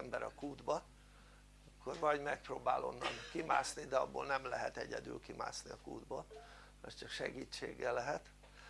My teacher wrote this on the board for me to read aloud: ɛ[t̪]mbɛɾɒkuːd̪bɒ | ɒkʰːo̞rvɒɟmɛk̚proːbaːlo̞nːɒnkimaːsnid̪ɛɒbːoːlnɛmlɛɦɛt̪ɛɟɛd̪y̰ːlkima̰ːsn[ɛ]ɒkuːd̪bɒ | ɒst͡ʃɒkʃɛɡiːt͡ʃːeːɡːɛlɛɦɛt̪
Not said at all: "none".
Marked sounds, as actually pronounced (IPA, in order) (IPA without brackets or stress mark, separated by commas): none, i